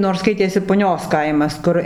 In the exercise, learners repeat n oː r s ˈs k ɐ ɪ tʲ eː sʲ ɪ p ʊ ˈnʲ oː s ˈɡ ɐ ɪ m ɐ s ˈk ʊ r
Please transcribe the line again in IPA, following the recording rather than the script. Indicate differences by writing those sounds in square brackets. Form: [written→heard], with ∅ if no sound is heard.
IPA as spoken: n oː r s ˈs k ɐ ɪ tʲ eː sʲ ɪ p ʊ ˈnʲ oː s [ˈɡ→ˈk] ɐ ɪ m ɐ s ˈk ʊ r